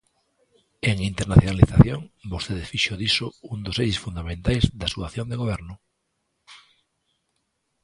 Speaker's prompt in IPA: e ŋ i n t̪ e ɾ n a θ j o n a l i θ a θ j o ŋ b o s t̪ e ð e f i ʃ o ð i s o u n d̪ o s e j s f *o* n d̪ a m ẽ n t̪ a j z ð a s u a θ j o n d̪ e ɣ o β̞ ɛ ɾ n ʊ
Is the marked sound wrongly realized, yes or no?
yes